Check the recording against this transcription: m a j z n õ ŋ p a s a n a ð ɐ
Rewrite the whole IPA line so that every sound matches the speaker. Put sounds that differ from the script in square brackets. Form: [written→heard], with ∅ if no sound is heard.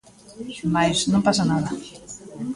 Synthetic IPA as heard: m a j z n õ [ŋ→m] p a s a n a ð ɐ